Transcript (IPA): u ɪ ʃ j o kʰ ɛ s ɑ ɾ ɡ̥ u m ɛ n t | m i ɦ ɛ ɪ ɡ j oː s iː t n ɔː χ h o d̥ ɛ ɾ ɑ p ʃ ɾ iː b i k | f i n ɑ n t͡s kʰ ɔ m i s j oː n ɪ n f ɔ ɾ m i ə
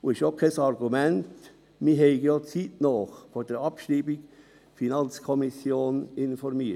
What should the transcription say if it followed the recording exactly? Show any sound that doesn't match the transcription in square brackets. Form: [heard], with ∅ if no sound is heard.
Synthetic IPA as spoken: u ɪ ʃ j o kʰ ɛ s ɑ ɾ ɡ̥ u m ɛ n t | m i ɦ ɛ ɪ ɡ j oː [t͡s] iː t n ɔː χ [f] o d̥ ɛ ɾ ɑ p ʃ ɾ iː b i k | f i n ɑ n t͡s kʰ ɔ m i s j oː n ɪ n f ɔ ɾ m i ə